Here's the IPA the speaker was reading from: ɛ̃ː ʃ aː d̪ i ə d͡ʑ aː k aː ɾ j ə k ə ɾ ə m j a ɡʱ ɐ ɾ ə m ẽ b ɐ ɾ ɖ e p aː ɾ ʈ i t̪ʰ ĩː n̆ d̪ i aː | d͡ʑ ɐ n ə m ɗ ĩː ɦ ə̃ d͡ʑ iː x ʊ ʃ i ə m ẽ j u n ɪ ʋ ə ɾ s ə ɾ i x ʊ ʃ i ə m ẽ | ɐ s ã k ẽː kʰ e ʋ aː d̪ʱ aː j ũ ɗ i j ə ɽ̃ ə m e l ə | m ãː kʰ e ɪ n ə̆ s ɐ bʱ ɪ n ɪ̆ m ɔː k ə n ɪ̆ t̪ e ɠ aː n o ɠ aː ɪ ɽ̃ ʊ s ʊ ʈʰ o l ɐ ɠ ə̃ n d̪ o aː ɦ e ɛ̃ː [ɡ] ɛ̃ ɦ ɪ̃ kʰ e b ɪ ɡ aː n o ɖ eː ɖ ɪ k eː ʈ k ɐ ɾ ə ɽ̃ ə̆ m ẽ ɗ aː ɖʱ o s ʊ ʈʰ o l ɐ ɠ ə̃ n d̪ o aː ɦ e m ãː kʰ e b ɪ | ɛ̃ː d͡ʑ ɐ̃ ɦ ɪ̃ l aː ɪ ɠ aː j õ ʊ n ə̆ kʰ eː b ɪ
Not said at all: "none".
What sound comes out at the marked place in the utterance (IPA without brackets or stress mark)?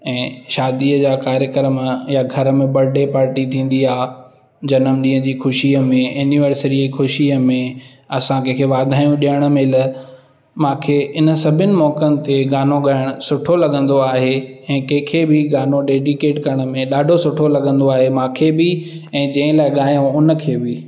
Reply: k